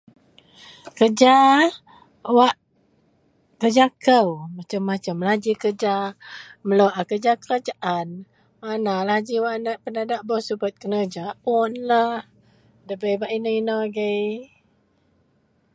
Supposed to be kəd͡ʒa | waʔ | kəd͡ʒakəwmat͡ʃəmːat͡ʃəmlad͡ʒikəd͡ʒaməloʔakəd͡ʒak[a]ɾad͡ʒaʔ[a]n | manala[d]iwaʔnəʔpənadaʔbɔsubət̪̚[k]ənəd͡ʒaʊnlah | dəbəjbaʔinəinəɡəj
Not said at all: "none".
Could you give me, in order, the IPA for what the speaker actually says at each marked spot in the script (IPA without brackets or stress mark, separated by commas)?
ə, a, d͡ʒ, k